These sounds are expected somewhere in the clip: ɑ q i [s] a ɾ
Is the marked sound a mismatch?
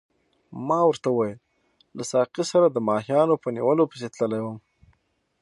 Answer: no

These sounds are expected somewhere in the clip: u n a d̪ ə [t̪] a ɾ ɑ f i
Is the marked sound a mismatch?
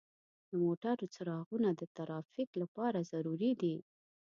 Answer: no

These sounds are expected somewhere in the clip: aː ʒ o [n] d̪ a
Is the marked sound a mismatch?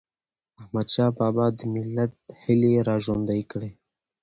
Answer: no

